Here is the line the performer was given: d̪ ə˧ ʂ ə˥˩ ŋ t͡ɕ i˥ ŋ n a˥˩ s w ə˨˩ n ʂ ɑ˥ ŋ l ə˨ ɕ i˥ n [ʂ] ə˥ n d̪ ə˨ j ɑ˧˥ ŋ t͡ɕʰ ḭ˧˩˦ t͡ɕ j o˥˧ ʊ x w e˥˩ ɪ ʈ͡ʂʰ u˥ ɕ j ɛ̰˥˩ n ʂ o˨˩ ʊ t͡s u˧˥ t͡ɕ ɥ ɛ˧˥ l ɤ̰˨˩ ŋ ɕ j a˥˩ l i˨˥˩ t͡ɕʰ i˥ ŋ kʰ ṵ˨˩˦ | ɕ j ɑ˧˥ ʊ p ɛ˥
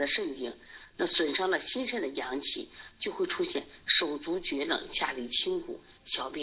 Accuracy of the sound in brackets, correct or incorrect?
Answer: correct